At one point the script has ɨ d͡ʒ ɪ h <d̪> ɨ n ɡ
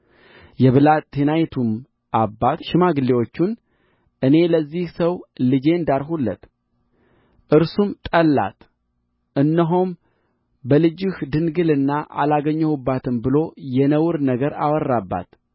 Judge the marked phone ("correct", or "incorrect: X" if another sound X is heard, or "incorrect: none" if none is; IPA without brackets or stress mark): correct